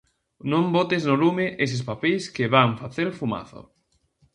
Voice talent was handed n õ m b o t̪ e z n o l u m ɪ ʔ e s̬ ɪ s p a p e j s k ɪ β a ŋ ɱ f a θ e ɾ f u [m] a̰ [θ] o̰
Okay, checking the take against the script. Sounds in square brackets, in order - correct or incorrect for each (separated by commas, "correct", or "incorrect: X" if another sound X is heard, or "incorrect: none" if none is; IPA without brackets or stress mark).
correct, correct